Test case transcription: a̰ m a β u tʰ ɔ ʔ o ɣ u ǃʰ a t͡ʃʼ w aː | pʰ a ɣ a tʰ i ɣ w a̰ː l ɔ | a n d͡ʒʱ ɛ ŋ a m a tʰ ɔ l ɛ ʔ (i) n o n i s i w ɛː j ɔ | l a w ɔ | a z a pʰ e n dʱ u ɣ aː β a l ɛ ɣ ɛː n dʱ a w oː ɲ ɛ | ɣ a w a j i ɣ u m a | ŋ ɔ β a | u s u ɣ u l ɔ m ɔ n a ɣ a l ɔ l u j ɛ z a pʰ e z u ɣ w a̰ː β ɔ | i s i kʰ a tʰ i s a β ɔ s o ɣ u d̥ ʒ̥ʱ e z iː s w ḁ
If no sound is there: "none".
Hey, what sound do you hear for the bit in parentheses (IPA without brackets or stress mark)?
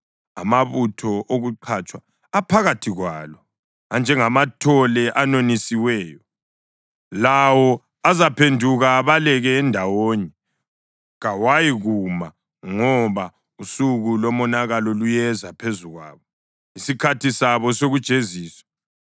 a